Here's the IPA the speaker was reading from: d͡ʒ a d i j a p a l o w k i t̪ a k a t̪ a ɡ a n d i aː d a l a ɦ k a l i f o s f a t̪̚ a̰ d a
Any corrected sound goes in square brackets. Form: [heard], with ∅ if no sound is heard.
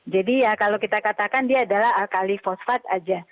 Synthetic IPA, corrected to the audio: d͡ʒ a d i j a [k] a l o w k i t̪ a k a t̪ a [k] a n d i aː d a l a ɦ k a l i f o s f a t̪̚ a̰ [d͡ʒ] a